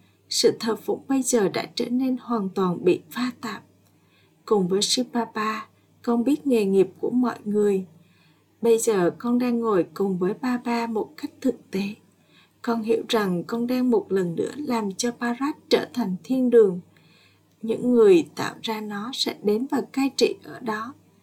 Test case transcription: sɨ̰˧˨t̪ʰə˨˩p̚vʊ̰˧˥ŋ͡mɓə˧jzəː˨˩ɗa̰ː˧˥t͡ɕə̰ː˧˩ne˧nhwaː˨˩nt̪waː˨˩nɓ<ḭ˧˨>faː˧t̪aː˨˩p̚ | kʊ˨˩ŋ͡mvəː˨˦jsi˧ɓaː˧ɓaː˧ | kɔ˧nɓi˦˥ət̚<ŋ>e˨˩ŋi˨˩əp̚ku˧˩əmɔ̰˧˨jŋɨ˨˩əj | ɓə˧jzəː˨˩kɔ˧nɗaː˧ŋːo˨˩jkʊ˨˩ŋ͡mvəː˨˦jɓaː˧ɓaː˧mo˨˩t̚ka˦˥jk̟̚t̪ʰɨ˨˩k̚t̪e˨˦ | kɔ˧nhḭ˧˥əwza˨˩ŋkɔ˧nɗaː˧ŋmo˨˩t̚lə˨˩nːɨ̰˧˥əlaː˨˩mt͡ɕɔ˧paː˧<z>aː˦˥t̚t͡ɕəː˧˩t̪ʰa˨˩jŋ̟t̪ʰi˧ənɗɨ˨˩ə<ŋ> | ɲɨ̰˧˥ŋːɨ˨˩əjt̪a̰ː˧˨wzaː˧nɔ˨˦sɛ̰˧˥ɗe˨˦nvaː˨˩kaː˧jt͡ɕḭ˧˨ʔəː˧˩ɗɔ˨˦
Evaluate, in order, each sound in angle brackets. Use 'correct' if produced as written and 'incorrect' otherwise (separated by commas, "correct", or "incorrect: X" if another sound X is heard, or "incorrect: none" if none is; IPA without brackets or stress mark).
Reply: correct, correct, correct, correct